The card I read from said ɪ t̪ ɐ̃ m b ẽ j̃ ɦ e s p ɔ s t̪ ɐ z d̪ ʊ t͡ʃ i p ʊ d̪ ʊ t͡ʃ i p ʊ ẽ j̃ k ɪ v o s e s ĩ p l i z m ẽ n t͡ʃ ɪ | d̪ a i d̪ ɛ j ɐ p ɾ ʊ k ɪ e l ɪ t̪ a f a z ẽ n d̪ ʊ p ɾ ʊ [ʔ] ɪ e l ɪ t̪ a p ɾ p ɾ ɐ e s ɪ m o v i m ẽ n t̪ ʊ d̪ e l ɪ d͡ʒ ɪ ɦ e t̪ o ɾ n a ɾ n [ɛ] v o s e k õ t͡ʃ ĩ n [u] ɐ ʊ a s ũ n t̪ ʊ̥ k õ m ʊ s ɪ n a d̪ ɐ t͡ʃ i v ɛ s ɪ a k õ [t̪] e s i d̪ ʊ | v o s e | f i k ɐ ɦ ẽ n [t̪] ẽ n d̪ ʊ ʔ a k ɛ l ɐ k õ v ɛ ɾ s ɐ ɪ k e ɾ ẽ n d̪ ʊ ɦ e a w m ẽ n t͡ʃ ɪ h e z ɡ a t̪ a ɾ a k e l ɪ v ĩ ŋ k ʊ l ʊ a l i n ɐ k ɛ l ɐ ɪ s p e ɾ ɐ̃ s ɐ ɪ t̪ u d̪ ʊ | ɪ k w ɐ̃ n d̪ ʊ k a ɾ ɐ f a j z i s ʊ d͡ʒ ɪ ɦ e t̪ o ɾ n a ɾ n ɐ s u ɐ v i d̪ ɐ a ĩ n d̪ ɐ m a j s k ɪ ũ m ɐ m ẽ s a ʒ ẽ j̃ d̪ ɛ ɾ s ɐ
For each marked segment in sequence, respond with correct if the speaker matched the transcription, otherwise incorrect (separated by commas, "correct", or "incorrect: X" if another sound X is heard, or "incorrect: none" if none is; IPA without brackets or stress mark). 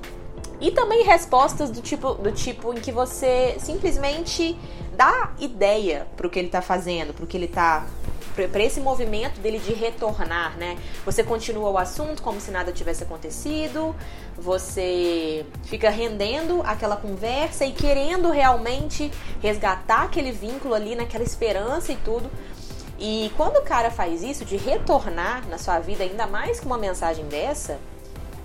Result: incorrect: k, correct, correct, correct, incorrect: d̪